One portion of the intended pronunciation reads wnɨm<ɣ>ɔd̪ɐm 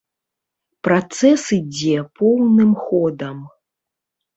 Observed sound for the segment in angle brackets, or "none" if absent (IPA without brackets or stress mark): x